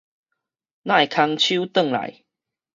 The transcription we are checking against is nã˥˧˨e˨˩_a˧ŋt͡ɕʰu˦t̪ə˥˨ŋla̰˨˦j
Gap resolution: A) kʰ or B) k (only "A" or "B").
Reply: A